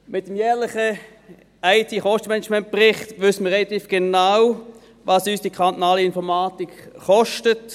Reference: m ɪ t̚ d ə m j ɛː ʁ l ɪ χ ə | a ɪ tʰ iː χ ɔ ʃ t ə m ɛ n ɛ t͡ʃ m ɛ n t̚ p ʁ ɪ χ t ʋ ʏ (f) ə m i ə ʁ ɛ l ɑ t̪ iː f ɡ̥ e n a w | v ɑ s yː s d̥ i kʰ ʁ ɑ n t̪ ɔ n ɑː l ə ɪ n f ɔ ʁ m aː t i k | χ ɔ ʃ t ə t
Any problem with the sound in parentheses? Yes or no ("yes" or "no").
yes